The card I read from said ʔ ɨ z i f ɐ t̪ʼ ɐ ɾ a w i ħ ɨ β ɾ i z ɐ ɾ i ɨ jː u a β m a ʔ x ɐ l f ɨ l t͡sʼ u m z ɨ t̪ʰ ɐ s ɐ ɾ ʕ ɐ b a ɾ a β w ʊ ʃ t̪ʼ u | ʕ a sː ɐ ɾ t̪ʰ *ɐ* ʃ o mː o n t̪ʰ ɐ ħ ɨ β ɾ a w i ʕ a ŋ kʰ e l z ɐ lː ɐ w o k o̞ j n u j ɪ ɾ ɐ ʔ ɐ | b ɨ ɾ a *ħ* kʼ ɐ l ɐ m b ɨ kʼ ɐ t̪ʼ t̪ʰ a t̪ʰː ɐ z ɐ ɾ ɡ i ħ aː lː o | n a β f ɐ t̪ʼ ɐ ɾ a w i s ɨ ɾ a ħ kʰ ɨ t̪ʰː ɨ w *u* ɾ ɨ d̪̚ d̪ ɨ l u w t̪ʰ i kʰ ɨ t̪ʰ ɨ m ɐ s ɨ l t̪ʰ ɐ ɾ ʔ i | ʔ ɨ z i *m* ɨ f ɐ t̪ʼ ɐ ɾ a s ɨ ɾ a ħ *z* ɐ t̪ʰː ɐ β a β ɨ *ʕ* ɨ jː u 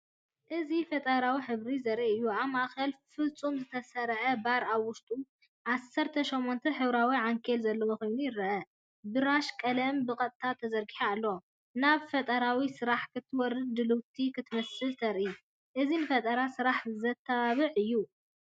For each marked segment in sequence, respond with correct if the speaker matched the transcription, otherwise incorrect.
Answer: correct, incorrect: ʃ, incorrect: ɔ, incorrect: n, correct, correct

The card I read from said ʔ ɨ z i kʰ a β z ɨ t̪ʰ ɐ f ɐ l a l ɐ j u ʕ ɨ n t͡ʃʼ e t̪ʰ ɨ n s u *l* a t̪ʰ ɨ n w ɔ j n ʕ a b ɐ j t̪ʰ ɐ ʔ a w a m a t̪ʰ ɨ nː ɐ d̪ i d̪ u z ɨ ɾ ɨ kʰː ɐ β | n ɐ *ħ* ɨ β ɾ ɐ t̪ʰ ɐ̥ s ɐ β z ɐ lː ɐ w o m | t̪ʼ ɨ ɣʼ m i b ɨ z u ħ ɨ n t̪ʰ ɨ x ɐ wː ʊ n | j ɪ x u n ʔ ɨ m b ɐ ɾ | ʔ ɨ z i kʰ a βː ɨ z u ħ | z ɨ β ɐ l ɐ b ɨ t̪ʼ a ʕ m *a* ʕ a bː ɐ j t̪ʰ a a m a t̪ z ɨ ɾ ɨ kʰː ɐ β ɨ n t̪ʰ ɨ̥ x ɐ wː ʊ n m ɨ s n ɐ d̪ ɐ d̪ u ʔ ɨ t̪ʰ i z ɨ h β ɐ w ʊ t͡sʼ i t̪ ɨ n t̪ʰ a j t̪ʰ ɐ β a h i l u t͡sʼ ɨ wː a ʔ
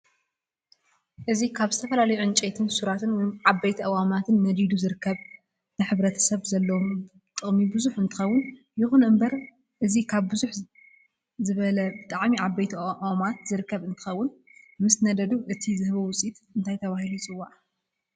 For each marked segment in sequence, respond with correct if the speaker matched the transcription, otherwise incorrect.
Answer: incorrect: ɾ, correct, incorrect: i

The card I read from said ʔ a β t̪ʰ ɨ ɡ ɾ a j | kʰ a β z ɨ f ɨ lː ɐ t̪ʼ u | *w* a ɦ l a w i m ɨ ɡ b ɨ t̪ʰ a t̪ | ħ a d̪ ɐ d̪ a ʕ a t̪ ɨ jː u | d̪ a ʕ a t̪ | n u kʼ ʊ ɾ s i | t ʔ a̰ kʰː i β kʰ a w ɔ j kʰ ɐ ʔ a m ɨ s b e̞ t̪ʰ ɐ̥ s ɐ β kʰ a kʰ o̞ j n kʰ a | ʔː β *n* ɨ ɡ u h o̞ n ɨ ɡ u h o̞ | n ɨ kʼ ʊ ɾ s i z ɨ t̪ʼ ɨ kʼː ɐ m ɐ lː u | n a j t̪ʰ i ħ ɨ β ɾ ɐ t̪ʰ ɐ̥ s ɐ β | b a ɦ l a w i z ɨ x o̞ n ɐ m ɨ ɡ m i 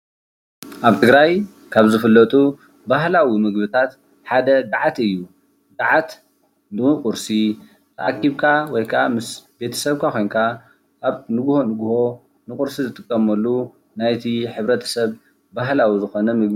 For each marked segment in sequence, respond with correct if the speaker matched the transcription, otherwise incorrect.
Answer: incorrect: b, correct

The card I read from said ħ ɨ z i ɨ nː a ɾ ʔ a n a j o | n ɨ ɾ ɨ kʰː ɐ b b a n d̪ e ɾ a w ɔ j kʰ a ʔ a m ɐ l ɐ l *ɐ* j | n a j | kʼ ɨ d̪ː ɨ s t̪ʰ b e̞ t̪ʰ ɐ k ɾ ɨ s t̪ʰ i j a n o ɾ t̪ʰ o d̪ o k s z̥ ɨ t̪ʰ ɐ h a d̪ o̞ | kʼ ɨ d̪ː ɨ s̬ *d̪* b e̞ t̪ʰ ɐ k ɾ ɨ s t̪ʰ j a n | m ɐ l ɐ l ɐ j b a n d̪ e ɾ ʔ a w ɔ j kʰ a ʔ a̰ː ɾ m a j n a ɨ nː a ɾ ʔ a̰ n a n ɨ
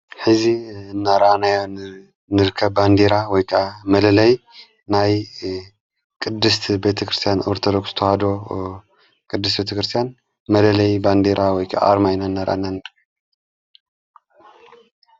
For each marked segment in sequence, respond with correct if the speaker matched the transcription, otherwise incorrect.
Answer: correct, incorrect: t̪

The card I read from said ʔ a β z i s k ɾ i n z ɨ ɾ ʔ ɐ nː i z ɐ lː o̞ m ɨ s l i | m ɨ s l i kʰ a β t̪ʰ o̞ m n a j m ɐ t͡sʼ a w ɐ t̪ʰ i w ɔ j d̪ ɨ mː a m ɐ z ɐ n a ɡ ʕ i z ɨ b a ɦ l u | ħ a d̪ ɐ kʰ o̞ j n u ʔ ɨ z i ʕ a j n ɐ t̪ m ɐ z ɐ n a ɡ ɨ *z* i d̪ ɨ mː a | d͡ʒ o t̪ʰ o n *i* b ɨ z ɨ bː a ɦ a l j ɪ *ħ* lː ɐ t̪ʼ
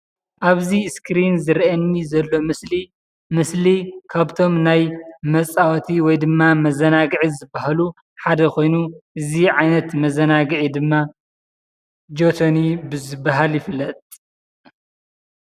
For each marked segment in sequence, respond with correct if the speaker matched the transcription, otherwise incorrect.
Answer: incorrect: ʕ, correct, incorrect: f

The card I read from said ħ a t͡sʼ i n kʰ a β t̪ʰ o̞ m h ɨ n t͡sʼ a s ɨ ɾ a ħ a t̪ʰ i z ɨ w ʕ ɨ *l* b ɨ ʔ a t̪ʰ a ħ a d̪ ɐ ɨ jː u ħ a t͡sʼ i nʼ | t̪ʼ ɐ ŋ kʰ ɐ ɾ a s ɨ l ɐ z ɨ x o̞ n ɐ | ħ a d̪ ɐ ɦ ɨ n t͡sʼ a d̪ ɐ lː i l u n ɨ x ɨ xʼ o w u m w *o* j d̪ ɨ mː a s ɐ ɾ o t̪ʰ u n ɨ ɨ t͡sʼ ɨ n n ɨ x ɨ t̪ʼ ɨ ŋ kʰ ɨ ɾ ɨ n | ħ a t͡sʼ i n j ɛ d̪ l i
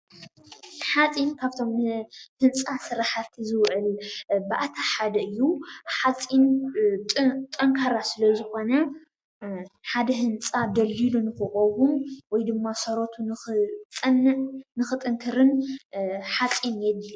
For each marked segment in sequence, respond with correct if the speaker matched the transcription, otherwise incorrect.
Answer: correct, incorrect: ɔ

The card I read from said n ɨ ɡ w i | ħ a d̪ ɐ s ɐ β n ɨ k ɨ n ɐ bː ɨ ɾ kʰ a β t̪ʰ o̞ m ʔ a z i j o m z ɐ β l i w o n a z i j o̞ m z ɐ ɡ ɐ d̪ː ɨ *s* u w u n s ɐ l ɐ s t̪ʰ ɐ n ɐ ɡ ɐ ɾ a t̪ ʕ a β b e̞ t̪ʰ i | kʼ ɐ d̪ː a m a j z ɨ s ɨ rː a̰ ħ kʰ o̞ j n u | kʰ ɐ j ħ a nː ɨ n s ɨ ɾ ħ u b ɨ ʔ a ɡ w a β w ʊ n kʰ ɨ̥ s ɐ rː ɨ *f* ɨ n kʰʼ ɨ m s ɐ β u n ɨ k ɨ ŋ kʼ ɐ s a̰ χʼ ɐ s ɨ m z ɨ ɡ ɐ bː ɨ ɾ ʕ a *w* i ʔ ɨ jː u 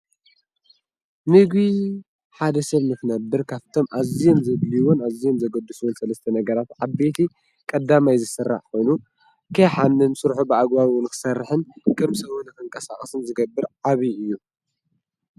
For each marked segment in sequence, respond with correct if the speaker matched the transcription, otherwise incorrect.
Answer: correct, incorrect: ħ, incorrect: β

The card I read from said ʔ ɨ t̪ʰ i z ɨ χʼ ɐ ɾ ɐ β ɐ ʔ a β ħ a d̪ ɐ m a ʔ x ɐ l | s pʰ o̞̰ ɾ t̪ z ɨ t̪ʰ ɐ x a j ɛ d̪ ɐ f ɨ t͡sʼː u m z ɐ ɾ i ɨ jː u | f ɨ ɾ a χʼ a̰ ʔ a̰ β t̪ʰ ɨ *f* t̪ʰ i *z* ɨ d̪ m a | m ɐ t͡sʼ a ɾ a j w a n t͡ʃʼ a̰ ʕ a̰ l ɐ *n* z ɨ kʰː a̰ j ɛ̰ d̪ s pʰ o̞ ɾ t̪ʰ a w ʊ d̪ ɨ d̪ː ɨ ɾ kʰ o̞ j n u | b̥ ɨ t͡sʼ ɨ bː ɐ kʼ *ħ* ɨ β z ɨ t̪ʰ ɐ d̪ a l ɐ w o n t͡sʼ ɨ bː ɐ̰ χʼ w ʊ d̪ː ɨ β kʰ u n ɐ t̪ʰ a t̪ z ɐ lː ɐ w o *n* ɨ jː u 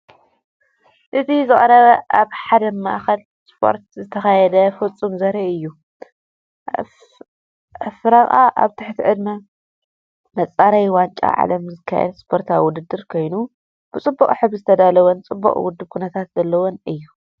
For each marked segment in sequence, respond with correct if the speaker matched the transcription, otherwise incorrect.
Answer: incorrect: ħ, incorrect: ʕ, incorrect: m, correct, correct

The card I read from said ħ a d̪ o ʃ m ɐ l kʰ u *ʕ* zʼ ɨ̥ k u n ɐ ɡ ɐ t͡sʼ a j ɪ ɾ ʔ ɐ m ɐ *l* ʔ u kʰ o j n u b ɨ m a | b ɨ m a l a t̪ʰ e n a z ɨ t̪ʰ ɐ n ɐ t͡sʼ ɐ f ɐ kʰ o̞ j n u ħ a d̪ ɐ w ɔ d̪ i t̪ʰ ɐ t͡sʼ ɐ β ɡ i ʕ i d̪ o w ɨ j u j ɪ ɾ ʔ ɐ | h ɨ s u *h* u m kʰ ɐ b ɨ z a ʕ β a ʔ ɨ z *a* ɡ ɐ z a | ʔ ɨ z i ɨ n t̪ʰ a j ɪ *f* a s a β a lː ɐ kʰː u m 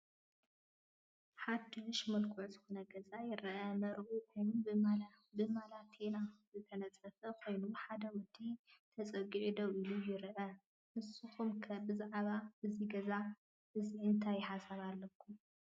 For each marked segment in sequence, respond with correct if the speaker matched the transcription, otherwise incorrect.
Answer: correct, incorrect: ɾ, incorrect: x, incorrect: i, incorrect: ħ

